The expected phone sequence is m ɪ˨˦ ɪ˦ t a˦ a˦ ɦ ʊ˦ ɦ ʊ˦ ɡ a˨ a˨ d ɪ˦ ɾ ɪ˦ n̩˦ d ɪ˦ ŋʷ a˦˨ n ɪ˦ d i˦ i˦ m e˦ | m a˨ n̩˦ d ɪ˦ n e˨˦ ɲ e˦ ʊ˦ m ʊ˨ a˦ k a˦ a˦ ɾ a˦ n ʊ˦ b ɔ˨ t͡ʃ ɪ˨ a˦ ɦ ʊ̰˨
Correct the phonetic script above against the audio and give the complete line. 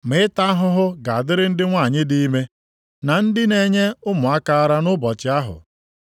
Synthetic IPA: m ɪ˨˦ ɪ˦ t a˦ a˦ ɦ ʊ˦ ɦ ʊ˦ ɡ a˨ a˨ d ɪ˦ ɾ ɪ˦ n̩˦ d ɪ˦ ŋʷ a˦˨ ɲ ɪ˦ d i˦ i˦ m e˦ | n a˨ n̩˦ d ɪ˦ n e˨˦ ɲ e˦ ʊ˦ m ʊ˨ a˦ k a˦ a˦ ɾ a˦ n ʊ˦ b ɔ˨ t͡ʃ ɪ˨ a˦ ɦ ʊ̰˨